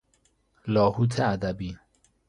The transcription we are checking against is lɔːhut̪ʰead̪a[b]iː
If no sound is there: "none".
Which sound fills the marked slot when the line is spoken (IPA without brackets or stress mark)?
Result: b